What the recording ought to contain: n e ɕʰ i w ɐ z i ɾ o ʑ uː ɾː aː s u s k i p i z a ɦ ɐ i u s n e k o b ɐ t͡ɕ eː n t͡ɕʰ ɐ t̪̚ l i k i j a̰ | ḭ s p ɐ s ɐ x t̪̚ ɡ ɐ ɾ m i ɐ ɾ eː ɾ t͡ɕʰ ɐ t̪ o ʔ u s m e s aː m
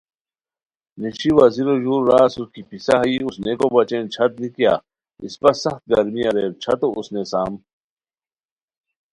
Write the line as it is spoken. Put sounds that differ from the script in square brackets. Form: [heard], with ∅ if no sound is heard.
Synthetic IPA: n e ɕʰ i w ɐ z i ɾ o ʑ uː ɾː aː s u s k i p i [s] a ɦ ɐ i u s n e k o b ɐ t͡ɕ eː n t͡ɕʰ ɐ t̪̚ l i k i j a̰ | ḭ s p ɐ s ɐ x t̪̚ ɡ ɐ ɾ m i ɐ ɾ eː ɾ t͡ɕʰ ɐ t̪ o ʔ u s [n] e s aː m